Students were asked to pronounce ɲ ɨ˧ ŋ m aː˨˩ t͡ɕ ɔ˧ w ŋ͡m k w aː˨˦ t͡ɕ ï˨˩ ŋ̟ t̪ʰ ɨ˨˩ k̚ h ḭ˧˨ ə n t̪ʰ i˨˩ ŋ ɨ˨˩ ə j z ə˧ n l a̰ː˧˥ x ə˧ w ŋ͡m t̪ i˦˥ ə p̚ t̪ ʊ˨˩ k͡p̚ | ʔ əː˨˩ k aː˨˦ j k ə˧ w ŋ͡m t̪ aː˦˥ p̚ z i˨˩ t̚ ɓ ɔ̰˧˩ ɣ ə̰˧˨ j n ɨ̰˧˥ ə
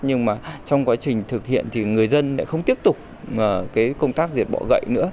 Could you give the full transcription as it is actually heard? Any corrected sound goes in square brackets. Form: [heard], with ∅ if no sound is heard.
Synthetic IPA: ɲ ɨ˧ ŋ m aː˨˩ t͡ɕ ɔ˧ w ŋ͡m k w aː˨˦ t͡ɕ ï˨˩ ŋ̟ t̪ʰ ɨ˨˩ k̚ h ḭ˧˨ ə n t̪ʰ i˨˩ ŋ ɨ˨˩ ə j z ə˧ n l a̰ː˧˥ x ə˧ w ŋ͡m t̪ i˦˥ ə p̚ t̪ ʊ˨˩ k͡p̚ | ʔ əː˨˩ k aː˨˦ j k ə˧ w ŋ͡m t̪ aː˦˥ [k̚] z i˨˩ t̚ ɓ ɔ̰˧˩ ɣ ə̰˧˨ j n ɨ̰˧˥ ə